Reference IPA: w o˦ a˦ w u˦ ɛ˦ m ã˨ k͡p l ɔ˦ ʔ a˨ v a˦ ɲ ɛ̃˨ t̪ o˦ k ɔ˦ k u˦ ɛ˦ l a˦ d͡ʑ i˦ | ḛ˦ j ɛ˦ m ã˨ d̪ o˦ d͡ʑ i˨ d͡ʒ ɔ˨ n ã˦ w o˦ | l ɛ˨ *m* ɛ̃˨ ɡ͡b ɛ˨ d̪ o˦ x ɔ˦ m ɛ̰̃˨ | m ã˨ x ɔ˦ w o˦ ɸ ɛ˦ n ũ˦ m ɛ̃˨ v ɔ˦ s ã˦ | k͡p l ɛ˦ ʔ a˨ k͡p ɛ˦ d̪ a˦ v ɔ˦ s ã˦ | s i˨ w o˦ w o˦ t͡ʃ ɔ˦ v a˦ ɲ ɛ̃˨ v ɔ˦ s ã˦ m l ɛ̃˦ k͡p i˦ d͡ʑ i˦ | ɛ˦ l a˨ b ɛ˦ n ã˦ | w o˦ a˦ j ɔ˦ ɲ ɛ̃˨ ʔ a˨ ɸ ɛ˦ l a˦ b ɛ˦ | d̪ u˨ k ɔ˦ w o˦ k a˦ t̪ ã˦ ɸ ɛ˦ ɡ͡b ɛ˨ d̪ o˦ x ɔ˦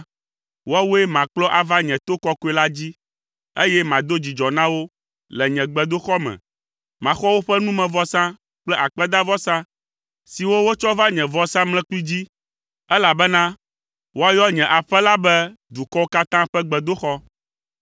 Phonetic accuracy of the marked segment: incorrect: ɲ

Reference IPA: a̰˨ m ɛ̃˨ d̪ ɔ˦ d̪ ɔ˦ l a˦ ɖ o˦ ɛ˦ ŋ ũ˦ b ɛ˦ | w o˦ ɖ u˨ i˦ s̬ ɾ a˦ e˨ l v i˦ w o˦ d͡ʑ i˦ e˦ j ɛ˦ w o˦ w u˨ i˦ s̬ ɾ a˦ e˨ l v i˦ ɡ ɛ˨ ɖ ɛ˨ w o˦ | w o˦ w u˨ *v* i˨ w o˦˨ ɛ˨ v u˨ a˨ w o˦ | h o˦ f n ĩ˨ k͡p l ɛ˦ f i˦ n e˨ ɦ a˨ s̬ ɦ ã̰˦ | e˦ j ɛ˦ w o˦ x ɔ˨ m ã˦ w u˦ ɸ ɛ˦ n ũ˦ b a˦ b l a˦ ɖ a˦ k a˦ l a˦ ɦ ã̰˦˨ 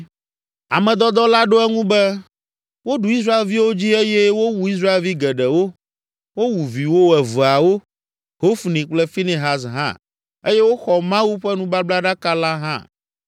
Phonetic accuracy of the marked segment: correct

